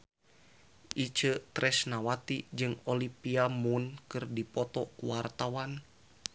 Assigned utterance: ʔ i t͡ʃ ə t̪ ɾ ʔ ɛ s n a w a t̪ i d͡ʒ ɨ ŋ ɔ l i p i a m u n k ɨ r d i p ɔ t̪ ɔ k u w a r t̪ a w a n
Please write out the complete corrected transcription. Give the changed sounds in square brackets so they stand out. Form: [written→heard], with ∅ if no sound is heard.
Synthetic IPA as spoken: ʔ i t͡ʃ ə t̪ ɾ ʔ ɛ s n a w a t̪ i d͡ʒ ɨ ŋ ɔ l i p i a m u n k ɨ r d i p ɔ t̪ ɔ k u w a r t̪ a w a n